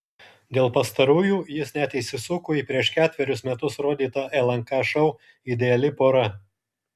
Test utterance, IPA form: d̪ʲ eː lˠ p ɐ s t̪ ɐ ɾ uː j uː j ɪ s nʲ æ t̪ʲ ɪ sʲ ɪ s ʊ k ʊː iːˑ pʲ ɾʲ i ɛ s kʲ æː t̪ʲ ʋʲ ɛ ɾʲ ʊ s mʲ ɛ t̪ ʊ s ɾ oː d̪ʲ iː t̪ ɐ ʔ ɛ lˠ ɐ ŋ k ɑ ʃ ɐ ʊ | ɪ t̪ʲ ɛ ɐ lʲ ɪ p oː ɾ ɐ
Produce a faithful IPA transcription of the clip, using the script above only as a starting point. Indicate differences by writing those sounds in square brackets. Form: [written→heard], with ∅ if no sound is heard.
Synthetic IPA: d̪ʲ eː lˠ p ɐ s t̪ ɐ ɾ uː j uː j ɪ s nʲ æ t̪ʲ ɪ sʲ ɪ s ʊ k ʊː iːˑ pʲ ɾʲ i ɛ [s→ʃ] kʲ æː t̪ʲ ʋʲ ɛ ɾʲ ʊ s mʲ ɛ t̪ ʊ s ɾ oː d̪ʲ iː t̪ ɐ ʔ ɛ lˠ ɐ ŋ k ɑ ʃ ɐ ʊ | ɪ [t̪ʲ→d̪ʲ] ɛ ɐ lʲ ɪ p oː ɾ ɐ